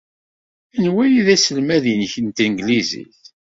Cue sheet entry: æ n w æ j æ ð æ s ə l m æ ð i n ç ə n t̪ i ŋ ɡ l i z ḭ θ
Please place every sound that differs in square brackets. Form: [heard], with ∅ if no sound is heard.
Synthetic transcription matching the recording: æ n w æ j [i] ð æ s ə l m æ ð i n ç ə n t̪ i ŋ ɡ l i z ḭ θ